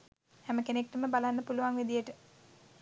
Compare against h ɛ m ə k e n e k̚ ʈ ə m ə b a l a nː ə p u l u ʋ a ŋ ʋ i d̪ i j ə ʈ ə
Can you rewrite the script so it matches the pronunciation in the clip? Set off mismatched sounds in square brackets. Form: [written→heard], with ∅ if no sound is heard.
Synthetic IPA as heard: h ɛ m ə k e n e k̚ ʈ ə m ə b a l a nː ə p u l u ʋ a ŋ ʋ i d̪ i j ə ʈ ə

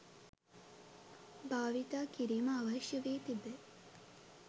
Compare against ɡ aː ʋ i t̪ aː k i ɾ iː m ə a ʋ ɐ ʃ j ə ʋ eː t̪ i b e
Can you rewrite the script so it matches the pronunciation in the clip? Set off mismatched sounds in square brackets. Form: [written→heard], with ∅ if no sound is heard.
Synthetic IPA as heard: [ɡ→b] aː ʋ i t̪ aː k i ɾ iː m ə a ʋ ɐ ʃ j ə ʋ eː t̪ i b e

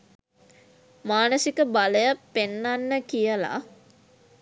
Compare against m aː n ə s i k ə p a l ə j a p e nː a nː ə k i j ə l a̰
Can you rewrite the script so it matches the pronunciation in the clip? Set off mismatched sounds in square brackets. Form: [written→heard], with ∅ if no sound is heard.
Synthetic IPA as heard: m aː n ə s i k ə [p→b] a l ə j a p e nː a nː ə k i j ə l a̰

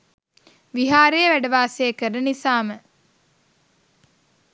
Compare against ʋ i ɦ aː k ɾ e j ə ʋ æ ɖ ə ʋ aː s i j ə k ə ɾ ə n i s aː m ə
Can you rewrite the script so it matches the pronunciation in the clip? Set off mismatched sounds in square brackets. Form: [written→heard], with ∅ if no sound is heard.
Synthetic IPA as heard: ʋ i ɦ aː [k→∅] ɾ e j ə ʋ æ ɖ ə ʋ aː s [i→e] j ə k ə ɾ ə n i s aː m ə

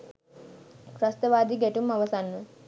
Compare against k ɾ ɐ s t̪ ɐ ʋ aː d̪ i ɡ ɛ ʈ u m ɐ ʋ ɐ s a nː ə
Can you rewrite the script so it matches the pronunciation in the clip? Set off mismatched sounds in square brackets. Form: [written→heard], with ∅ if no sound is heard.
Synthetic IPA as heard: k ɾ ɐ s t̪ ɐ ʋ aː d̪ i ɡ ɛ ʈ u m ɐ ʋ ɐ s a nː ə

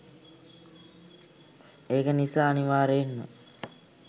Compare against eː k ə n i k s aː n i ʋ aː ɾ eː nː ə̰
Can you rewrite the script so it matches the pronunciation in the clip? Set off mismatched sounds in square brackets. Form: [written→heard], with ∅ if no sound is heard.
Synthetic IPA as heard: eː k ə n i [k→∅] s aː n i ʋ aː ɾ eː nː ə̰

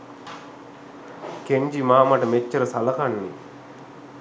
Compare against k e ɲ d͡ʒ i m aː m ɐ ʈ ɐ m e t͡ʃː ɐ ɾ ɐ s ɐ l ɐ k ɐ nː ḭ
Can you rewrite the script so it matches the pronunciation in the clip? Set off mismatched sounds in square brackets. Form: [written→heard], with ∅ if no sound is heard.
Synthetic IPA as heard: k e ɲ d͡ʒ i m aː m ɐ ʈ ɐ m e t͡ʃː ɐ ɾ ɐ s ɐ l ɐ k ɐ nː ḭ

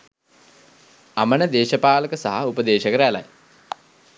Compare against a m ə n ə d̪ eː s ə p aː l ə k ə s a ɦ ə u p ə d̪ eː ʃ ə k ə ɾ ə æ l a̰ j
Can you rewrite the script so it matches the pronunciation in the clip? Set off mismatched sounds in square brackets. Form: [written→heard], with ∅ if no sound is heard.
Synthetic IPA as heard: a m ə n ə d̪ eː [s→ʃ] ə p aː l ə k ə s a ɦ [ə→a] u p ə d̪ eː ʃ ə k ə ɾ ə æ l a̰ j

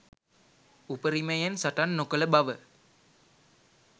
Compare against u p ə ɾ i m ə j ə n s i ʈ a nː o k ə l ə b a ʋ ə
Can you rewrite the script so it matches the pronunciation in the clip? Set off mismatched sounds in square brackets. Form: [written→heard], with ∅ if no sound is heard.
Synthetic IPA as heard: u p ə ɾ i m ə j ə n s [i→a] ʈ a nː o k ə l ə b a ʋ ə

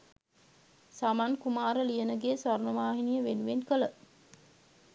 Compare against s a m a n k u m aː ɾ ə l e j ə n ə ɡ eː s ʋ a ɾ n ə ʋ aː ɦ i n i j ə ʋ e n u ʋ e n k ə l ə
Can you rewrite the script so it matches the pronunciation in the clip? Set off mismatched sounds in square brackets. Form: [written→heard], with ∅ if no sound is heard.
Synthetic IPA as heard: s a m a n k u m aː ɾ ə l [e→i] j ə n ə ɡ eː s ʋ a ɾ n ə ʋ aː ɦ i n i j ə ʋ e n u ʋ e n k ə l ə

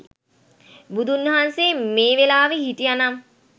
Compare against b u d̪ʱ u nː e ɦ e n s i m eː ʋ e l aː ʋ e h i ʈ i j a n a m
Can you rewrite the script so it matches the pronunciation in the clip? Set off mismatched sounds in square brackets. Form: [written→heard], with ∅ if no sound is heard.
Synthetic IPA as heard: b u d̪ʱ u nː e ɦ [e→a] n s [i→e] m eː ʋ e l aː ʋ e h i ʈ i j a n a m

